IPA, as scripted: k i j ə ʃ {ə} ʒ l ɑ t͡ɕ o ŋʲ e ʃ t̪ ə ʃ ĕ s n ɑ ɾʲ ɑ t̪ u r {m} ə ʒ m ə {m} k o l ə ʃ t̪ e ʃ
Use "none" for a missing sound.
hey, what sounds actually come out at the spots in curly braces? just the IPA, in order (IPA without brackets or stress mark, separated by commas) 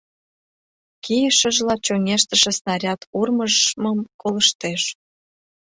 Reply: ə, m, m